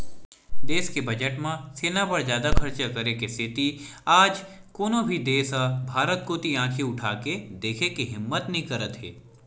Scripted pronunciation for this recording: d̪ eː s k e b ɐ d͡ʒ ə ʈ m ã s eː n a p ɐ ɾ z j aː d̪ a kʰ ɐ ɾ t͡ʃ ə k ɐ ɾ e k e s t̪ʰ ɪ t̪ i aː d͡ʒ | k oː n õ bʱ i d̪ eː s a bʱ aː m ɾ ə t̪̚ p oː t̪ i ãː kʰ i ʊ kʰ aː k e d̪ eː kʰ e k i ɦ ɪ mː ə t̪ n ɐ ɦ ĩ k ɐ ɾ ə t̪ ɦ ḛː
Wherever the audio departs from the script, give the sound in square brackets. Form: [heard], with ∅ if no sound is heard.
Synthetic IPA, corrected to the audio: d̪ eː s k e b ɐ d͡ʒ ə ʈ m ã s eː n a p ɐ ɾ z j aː d̪ a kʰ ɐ ɾ t͡ʃ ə k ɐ ɾ e k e s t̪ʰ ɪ t̪ i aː d͡ʒ | k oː n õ bʱ i d̪ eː s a bʱ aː [∅] ɾ ə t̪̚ [k] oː t̪ i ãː kʰ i ʊ [ʈʰ] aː k e d̪ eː kʰ e k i ɦ ɪ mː ə t̪ n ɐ ɦ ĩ k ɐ ɾ ə t̪ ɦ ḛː